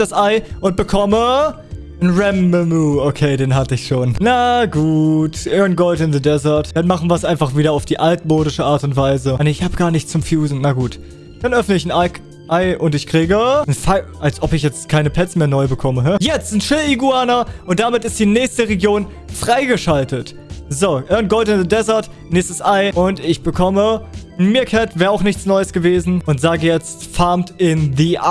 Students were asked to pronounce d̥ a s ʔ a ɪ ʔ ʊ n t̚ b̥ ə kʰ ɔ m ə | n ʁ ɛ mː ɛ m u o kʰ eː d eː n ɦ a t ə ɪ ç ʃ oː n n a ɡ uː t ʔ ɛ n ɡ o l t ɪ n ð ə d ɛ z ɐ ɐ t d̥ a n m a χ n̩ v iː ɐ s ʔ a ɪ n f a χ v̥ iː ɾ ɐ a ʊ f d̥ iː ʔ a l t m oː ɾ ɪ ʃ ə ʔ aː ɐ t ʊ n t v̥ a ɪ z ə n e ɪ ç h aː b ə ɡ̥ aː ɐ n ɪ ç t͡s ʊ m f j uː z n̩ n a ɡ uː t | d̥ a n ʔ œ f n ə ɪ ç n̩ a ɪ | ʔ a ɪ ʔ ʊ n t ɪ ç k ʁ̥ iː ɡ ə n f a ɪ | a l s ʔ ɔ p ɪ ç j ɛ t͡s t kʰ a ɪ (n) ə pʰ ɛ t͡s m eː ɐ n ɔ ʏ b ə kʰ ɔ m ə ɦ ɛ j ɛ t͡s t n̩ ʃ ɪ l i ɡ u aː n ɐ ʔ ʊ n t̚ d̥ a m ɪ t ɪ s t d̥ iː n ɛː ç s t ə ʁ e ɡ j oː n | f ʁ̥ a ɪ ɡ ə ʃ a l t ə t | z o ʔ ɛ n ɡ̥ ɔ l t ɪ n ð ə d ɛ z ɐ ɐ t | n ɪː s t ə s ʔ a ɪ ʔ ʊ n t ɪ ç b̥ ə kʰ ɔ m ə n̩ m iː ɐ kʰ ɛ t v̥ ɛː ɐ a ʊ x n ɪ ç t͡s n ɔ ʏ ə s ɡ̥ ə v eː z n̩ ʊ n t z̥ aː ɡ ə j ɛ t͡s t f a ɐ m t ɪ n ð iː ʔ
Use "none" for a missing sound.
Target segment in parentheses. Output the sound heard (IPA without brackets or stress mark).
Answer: n